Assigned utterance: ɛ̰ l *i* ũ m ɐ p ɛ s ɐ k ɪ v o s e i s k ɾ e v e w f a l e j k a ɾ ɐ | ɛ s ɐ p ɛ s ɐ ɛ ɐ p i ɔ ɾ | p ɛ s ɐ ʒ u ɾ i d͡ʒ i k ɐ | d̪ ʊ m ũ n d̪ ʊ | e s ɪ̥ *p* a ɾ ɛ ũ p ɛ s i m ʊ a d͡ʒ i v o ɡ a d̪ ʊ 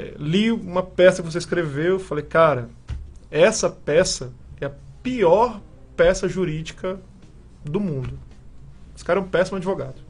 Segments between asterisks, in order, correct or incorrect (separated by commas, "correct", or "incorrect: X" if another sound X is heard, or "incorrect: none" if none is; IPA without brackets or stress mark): correct, incorrect: k